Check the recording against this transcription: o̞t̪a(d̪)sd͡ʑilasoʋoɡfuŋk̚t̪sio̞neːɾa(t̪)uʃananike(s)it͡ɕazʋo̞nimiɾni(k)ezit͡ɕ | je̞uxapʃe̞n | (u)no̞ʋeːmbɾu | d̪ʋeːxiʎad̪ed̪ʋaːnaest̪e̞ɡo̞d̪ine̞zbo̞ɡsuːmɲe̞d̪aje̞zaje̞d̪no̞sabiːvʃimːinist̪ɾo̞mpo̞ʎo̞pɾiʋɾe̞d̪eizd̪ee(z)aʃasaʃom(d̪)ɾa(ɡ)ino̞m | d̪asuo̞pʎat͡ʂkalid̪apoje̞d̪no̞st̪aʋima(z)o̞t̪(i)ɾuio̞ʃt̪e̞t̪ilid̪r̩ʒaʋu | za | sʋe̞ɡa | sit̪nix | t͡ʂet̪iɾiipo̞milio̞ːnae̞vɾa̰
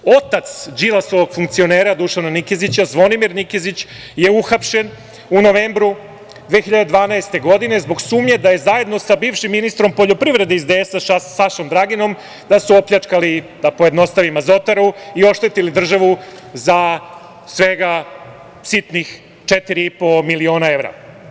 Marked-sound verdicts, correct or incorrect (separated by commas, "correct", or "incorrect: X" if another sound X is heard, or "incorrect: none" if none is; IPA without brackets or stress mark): incorrect: t̪, incorrect: d̪, incorrect: z, correct, correct, incorrect: s, correct, correct, correct, incorrect: a